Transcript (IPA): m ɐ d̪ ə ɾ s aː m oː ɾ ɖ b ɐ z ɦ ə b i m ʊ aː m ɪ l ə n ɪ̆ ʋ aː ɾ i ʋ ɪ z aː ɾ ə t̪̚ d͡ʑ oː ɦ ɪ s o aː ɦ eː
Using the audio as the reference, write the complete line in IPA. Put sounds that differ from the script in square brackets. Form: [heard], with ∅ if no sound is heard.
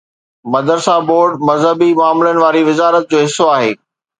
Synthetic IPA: m ɐ d̪ ə ɾ s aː [b] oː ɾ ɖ [m] ɐ z ɦ ə b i m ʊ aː m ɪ l ə n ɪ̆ ʋ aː ɾ i ʋ ɪ z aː ɾ ə t̪̚ d͡ʑ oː ɦ ɪ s o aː ɦ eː